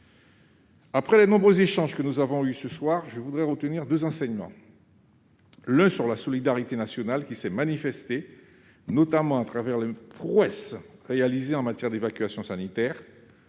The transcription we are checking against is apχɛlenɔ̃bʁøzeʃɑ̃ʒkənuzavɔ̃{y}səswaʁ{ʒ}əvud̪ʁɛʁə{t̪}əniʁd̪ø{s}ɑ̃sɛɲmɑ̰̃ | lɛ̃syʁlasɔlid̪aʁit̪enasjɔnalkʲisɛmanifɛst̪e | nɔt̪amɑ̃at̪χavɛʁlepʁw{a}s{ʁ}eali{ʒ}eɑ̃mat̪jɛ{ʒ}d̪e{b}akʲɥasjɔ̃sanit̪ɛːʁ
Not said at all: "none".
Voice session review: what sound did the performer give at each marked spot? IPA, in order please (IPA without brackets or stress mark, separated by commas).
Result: y, ʒ, t̪, z, ɛ, ʁ, z, ʁ, v